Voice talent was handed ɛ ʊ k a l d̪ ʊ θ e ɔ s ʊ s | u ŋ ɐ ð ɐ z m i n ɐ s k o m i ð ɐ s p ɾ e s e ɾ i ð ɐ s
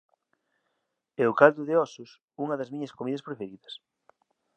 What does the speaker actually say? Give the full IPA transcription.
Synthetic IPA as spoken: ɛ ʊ k a l d̪ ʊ ð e ɔ s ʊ s | u ŋ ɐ ð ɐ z m i ɲ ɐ s k o m i ð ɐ s p ɾ e f e ɾ i ð ɐ s